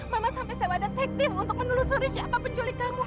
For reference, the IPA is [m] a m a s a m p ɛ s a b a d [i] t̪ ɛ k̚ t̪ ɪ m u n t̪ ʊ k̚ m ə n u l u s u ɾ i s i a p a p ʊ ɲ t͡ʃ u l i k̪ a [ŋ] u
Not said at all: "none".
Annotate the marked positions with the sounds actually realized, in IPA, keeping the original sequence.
m, a, m

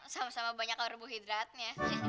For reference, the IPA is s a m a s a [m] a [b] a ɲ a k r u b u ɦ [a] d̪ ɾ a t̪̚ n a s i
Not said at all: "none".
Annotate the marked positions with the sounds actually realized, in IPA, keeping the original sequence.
m, b, i

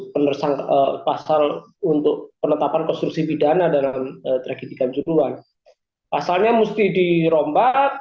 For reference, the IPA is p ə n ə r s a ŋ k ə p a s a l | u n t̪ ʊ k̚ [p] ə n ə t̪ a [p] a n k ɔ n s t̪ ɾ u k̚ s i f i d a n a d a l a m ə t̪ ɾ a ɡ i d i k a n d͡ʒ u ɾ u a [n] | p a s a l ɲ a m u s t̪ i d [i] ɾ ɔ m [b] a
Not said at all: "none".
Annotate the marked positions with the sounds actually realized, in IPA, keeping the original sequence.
p, p, n, i, b

